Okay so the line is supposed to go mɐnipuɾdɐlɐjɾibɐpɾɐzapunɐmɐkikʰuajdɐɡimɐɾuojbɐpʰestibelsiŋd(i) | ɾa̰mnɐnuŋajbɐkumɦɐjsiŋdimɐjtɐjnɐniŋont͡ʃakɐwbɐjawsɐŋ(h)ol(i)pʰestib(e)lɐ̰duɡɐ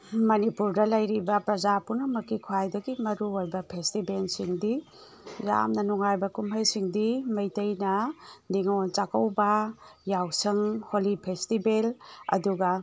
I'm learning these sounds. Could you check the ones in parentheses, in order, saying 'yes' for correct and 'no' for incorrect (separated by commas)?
yes, yes, yes, yes